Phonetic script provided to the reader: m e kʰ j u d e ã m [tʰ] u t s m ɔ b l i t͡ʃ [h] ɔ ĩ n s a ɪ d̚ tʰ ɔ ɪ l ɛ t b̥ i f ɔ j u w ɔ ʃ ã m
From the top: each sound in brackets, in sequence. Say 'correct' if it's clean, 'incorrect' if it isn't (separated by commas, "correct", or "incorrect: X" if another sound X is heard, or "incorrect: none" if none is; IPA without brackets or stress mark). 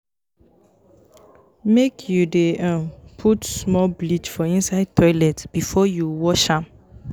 incorrect: pʰ, incorrect: f